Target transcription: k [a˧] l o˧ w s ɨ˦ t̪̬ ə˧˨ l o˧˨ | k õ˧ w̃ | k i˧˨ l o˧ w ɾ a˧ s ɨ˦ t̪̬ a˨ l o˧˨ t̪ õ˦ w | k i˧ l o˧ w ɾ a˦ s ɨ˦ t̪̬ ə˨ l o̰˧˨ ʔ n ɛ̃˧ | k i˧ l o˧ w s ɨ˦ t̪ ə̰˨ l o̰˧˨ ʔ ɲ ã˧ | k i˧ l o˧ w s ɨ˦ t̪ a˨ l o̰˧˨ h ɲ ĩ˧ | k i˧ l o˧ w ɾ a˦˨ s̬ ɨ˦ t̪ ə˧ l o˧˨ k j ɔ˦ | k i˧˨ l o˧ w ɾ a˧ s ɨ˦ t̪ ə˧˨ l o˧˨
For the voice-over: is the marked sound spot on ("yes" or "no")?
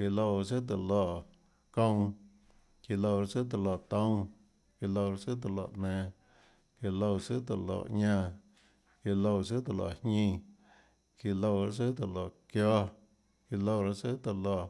no